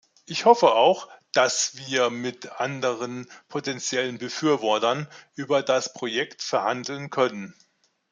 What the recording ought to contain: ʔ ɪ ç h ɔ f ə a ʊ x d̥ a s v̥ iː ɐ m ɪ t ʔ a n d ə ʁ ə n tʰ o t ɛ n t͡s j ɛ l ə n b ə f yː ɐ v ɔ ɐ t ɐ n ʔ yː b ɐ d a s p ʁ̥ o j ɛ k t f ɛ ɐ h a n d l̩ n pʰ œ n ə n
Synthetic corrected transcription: ʔ ɪ ç h ɔ f ə a ʊ x d̥ a s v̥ iː ɐ m ɪ t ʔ a n d ə ʁ ə n pʰ o t ɛ n t͡s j ɛ l ə n b ə f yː ɐ v ɔ ɐ t ɐ n ʔ yː b ɐ d a s p ʁ̥ o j ɛ k t f ɛ ɐ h a n d l̩ n kʰ œ n ə n